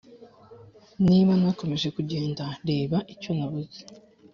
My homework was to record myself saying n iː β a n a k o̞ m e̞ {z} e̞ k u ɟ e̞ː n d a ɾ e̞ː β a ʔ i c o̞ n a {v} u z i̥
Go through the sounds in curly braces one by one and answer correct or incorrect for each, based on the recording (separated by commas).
incorrect, incorrect